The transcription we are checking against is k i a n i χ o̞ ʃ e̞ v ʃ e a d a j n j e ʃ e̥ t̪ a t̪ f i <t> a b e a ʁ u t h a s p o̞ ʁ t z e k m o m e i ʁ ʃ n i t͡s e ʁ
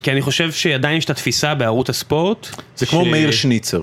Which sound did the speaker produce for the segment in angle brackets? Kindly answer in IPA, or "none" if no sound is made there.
s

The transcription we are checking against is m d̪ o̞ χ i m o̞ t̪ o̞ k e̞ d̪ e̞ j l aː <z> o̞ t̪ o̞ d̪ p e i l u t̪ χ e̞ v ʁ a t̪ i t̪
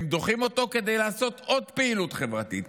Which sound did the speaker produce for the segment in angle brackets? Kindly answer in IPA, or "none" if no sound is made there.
s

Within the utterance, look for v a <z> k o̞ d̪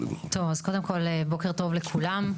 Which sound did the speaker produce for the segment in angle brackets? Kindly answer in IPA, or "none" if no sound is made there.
z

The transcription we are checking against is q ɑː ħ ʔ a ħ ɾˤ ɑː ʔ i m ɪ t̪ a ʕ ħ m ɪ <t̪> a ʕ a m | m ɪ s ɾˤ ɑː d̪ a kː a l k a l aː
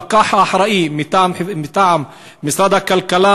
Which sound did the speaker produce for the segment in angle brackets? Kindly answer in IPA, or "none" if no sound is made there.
t̪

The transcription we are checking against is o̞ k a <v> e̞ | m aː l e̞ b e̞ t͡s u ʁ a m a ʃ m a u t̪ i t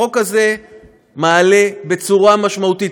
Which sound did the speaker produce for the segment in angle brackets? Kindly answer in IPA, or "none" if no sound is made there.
z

